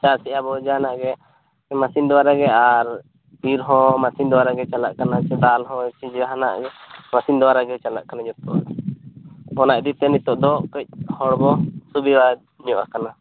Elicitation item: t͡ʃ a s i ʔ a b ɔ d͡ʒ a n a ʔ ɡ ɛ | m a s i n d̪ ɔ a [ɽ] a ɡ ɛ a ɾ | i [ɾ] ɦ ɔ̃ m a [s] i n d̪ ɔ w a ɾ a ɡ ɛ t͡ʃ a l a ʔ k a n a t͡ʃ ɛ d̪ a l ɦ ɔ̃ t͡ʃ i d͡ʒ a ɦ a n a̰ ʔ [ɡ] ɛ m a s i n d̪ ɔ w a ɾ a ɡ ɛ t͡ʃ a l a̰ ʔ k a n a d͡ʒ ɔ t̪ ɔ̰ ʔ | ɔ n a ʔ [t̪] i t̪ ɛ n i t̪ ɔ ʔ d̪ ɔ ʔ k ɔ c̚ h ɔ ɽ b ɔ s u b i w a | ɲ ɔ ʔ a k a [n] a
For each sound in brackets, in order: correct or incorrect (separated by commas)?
incorrect, correct, correct, correct, incorrect, correct